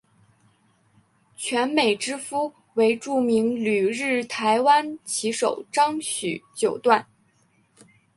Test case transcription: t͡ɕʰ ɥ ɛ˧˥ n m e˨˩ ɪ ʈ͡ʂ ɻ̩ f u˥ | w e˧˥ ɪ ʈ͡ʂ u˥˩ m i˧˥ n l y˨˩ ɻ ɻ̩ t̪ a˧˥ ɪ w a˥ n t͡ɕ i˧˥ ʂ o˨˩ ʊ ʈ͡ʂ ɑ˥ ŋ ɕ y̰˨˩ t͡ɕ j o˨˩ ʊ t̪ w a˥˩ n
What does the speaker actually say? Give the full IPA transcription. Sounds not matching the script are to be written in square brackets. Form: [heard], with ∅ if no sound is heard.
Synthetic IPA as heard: t͡ɕʰ ɥ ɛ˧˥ n m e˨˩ ɪ ʈ͡ʂ ɻ̩ f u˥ | w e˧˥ ɪ ʈ͡ʂ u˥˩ m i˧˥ [ŋ] l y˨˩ ɻ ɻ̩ [t̪ʰ] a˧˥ ɪ w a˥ n [t͡ɕʰ] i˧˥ ʂ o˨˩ ʊ ʈ͡ʂ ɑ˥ ŋ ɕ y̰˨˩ t͡ɕ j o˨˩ ʊ t̪ w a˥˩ n